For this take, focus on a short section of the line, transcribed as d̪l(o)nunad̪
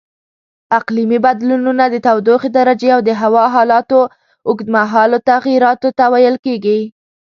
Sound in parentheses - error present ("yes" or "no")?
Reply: yes